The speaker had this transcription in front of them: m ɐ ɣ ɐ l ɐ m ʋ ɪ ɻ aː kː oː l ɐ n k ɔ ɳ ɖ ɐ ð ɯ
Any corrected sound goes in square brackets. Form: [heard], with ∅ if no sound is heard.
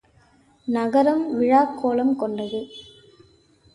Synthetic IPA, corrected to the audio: [n] ɐ ɣ ɐ [ɾ] ɐ m ʋ ɪ ɻ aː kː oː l ɐ [m] k ɔ ɳ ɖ ɐ ð ɯ